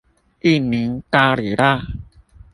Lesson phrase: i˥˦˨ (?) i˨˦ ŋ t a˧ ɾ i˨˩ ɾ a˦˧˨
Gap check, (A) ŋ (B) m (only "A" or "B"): B